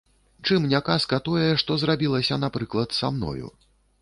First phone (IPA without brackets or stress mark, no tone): t͡ʂ